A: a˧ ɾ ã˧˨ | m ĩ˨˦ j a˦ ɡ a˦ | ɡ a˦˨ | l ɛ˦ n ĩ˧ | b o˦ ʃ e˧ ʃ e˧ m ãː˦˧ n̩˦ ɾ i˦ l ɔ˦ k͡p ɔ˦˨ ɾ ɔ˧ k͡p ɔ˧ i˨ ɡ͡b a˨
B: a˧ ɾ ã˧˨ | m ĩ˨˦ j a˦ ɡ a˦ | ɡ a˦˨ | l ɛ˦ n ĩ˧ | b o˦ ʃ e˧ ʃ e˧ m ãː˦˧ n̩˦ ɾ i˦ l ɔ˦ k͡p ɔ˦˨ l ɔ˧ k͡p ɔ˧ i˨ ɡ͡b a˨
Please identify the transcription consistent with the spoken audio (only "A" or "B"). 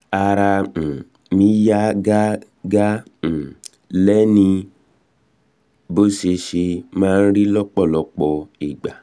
B